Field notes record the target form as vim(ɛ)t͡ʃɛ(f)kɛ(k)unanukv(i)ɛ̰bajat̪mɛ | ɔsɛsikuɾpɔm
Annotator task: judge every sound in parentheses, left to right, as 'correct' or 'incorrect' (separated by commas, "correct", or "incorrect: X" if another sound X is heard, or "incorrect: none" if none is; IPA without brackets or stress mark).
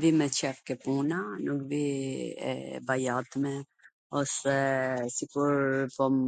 correct, correct, incorrect: p, correct